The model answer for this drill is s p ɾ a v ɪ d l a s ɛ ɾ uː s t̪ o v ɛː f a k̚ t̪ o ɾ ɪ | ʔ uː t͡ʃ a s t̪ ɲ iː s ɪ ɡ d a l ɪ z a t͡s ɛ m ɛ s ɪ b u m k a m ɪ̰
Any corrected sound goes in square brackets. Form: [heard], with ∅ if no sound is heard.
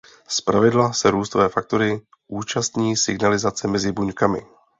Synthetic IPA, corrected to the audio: s p ɾ a v ɪ d l a s ɛ ɾ uː s t̪ o v ɛː f a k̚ t̪ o ɾ ɪ | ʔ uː t͡ʃ a s t̪ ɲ iː s ɪ ɡ [n] a l ɪ z a t͡s ɛ m ɛ [z] ɪ b u [ɲ] k a m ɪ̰